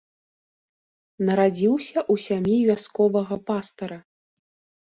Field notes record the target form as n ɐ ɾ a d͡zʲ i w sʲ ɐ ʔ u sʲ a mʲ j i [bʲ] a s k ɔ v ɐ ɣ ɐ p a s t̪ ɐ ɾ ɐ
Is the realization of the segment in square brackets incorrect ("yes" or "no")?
yes